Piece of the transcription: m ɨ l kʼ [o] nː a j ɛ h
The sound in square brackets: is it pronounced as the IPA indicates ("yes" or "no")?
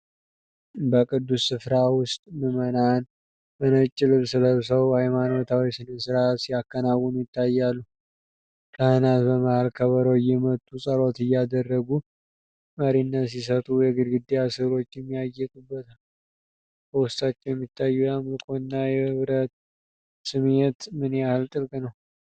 yes